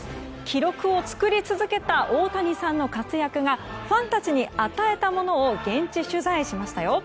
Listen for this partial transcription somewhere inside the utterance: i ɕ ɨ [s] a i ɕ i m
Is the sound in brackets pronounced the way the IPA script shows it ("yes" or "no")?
no